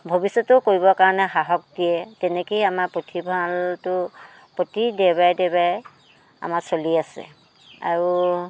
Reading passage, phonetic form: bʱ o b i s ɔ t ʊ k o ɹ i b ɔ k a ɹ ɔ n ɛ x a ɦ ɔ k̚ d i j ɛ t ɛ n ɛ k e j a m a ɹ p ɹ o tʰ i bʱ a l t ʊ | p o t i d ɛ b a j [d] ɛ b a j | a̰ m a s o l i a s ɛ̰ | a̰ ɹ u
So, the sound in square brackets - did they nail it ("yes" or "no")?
yes